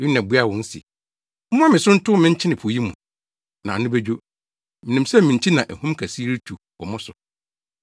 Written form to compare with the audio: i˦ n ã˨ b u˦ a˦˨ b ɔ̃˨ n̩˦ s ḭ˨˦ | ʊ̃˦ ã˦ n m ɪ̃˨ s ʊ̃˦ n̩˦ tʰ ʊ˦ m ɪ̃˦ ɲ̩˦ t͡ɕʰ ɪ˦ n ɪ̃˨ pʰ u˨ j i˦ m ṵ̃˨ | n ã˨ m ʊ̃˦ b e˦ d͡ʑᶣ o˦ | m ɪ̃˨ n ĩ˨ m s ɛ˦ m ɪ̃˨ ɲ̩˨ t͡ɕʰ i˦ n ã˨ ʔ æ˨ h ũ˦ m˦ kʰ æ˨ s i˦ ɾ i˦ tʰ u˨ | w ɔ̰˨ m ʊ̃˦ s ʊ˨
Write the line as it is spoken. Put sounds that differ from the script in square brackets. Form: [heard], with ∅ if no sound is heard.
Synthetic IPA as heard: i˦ n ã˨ b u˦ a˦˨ [w] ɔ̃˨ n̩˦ s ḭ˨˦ | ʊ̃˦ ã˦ [∅] m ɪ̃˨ s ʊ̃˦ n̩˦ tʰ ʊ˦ m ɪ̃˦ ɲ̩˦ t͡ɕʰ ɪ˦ n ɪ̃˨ pʰ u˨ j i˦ m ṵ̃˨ | n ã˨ [n] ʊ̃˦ b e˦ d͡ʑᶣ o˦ | m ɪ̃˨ n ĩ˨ m s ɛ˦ m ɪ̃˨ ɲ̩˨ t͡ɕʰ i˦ n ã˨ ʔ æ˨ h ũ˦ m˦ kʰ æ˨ s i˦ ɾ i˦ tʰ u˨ | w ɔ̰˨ m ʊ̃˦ s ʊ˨